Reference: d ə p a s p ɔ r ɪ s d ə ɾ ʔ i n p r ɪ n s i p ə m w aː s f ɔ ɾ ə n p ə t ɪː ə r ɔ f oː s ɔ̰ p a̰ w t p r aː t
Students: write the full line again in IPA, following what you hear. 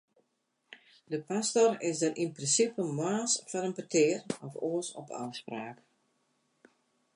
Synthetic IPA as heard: d ə p a s t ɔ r ɪ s d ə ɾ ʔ i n p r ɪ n s i p ə m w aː s f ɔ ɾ ə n p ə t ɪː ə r ɔ f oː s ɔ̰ p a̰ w s p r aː k